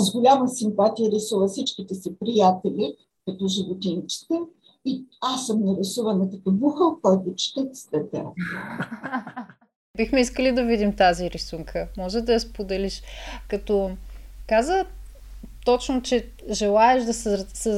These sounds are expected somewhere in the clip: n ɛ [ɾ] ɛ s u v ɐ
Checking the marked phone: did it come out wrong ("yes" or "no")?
no